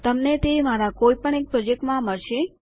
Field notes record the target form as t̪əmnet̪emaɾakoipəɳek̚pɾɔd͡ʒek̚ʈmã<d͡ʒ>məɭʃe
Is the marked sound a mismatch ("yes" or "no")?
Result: yes